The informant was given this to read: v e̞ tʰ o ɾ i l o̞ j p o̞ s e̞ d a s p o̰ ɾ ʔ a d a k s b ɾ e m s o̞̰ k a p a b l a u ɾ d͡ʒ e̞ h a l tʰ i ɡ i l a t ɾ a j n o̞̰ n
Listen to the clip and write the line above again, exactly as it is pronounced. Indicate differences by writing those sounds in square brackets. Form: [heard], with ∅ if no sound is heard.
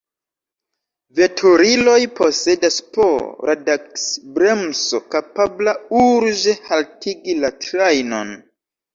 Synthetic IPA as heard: v e̞ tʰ o ɾ i l o̞ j p o̞ s e̞ d a s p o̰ ɾ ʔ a d a k s b ɾ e m s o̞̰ k a p a b l a u ɾ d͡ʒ e̞ h a l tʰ i ɡ i l a t ɾ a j n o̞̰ n